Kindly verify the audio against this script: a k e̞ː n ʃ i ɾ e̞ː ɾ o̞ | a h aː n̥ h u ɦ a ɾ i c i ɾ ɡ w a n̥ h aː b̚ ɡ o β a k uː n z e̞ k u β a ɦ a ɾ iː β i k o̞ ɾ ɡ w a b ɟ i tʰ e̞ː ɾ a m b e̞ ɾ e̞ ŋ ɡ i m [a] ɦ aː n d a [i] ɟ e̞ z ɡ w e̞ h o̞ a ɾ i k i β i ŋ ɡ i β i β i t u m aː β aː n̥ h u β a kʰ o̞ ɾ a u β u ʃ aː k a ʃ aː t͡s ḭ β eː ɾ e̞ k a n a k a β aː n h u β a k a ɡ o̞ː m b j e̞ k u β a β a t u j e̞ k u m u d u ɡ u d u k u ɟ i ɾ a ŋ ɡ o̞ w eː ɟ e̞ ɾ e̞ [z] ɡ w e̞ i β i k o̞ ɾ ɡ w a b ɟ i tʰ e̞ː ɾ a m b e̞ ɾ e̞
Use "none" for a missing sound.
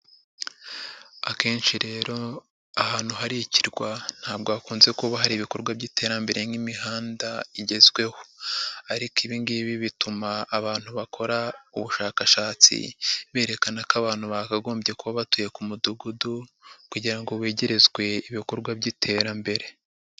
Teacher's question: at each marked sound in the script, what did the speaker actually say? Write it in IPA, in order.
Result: i, i, z

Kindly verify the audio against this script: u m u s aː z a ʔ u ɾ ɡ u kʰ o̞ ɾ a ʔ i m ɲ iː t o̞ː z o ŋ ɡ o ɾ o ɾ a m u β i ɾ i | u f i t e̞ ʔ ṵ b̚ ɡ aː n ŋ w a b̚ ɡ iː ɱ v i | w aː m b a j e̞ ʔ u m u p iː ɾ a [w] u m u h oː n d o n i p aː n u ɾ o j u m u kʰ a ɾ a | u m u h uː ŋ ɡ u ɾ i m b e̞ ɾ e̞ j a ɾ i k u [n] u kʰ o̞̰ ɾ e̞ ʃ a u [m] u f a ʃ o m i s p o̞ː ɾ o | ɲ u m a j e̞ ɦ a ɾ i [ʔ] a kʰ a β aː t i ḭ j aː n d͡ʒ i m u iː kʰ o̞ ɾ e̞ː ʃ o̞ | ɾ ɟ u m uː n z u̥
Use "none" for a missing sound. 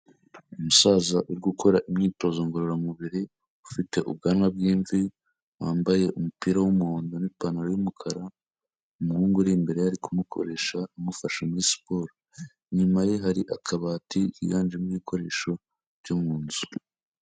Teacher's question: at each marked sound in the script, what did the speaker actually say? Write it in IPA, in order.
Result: w, m, m, ʔ

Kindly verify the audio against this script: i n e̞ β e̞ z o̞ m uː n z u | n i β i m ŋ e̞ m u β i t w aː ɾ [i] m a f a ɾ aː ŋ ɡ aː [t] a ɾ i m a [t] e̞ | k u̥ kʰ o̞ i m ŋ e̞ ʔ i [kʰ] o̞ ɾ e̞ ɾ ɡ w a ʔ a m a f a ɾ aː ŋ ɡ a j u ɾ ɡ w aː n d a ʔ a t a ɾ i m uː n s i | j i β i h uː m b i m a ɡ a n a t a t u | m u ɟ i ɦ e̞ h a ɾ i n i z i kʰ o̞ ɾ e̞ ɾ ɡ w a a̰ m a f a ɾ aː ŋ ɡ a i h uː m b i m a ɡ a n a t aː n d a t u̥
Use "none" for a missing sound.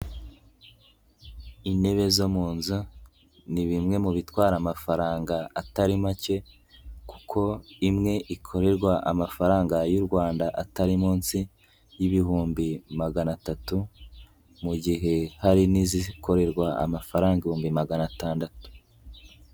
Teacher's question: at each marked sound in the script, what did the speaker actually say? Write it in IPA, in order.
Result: a, t, c, kʰ

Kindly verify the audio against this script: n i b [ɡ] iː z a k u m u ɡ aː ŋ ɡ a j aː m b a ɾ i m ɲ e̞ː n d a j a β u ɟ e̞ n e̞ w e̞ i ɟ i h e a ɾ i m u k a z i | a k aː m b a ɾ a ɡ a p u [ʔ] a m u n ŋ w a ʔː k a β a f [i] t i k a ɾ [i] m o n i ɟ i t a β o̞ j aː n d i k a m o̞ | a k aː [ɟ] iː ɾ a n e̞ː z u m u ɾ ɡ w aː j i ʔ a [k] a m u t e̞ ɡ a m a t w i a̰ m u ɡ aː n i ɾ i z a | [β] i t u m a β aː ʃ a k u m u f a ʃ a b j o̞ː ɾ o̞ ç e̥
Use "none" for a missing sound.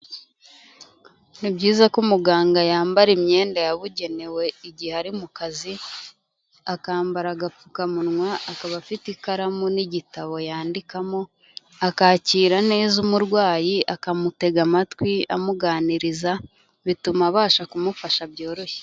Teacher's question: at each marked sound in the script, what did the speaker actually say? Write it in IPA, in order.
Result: ɟ, k, i, a, c, k, β

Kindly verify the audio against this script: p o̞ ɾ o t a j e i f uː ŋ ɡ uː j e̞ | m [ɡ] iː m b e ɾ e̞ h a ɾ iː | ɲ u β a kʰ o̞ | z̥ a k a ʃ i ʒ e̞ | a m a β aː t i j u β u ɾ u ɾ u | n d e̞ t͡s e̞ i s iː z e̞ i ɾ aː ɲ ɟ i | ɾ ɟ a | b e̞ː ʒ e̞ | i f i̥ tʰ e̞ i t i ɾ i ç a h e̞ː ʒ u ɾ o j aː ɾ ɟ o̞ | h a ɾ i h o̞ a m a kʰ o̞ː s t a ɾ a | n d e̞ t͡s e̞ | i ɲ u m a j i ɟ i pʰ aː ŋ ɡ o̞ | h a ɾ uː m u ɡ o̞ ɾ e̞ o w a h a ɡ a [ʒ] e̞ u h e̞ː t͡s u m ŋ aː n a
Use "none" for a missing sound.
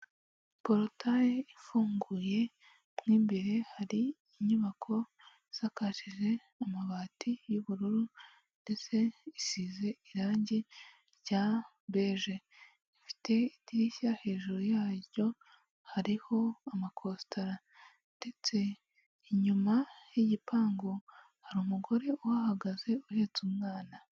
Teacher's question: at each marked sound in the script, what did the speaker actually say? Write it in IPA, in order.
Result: ŋ, z

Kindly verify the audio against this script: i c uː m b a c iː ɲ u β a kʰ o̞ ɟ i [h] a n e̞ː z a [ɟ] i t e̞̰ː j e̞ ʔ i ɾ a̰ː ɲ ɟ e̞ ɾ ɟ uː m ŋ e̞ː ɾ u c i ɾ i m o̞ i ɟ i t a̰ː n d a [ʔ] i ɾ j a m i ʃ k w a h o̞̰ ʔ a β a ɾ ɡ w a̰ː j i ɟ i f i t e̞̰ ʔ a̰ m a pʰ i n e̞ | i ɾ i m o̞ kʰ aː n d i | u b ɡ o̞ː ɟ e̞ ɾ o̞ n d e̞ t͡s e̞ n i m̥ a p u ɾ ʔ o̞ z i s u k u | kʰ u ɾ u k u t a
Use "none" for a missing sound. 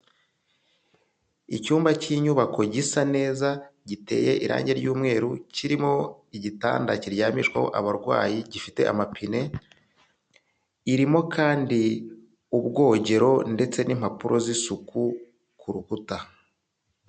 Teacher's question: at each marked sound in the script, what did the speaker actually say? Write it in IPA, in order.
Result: s, ɟ, c

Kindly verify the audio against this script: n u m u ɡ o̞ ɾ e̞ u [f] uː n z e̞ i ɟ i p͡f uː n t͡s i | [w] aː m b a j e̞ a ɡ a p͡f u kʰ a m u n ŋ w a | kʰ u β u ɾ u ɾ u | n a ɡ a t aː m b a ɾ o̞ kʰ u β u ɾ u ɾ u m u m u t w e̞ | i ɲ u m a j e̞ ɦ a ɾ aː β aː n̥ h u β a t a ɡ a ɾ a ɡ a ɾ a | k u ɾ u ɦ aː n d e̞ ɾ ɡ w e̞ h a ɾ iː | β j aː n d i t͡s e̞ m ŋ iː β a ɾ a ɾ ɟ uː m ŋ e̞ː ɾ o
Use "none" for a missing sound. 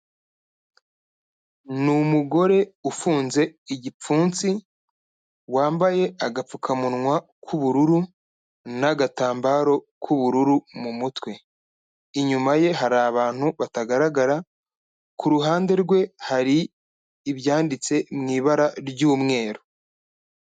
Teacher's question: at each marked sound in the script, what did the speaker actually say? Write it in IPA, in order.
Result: f, w

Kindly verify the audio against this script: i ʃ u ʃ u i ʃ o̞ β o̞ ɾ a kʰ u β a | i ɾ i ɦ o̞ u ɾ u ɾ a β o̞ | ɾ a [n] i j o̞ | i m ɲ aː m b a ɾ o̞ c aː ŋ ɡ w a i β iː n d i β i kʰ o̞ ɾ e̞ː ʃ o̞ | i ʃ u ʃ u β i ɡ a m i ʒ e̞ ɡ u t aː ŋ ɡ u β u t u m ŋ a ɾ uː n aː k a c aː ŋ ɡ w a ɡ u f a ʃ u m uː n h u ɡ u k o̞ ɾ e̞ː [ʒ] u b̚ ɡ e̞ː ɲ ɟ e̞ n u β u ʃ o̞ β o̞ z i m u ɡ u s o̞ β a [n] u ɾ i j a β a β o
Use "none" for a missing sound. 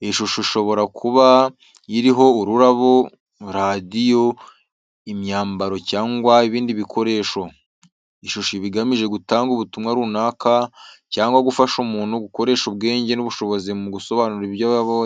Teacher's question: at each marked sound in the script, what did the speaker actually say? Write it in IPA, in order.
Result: d, ʃ, n

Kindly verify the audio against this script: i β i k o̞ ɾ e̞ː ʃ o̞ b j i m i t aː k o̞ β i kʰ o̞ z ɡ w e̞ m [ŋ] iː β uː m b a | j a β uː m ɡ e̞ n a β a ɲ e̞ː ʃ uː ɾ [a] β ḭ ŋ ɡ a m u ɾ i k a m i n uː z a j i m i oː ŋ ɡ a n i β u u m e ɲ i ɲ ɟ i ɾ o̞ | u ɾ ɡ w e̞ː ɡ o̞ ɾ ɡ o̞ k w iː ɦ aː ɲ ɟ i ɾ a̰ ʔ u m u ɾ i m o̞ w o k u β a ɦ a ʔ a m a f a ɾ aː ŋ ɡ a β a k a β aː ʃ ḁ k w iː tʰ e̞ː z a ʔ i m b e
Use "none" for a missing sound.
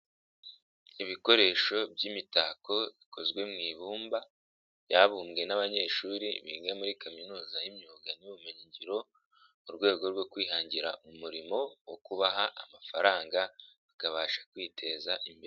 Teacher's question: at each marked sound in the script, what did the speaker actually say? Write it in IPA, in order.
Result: ŋ, i

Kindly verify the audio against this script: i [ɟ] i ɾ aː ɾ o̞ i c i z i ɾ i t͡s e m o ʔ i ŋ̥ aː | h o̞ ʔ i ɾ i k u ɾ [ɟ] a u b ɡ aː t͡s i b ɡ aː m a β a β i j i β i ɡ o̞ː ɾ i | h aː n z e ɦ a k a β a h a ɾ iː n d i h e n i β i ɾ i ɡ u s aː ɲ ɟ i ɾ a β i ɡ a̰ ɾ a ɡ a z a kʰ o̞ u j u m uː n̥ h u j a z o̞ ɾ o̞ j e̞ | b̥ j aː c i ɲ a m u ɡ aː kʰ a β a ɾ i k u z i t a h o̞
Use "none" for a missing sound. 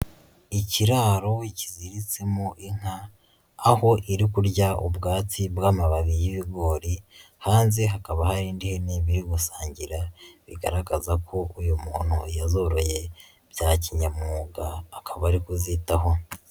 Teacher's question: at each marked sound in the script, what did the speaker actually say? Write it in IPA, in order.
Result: c, ɟ

